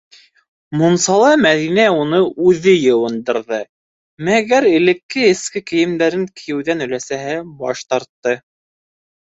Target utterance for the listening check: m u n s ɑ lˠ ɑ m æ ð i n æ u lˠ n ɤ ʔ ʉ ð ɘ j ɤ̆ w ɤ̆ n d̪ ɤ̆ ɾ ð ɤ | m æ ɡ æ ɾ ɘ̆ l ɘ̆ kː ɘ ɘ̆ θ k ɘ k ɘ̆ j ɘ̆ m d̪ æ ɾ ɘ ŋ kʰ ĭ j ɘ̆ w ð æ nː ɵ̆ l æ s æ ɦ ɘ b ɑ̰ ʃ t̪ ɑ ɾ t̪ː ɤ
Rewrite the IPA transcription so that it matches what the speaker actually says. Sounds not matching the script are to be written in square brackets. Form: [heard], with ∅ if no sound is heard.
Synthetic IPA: m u n s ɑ lˠ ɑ m æ ð i n æ u [∅] n ɤ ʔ ʉ ð ɘ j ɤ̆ w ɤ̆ n d̪ ɤ̆ ɾ ð ɤ | m æ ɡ æ ɾ ɘ̆ l ɘ̆ kː ɘ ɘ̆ [s] k ɘ k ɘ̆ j ɘ̆ m d̪ æ ɾ ɘ ŋ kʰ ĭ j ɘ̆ w ð æ [n] ɵ̆ l æ s æ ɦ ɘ b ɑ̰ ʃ t̪ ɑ ɾ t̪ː ɤ